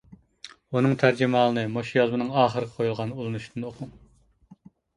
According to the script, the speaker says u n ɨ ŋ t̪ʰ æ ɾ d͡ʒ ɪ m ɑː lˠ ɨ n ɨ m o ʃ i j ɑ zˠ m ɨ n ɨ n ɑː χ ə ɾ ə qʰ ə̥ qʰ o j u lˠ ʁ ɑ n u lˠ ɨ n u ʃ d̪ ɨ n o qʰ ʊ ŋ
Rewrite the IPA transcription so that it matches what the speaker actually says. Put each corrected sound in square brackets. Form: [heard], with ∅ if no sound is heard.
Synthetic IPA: u n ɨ ŋ t̪ʰ æ ɾ d͡ʒ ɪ m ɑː lˠ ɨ n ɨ m o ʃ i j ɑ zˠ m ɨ n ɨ [ŋ] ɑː χ ə ɾ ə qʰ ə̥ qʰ o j u lˠ ʁ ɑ n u lˠ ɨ n u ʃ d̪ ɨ n o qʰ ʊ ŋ